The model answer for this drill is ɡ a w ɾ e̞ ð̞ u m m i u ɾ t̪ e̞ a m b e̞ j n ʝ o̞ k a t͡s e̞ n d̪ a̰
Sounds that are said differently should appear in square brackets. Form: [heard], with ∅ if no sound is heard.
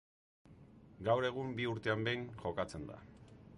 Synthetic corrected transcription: ɡ a w ɾ e̞ [ɣ̞] u m [b] i u ɾ t̪ e̞ a m b e̞ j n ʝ o̞ k a t͡s e̞ n d̪ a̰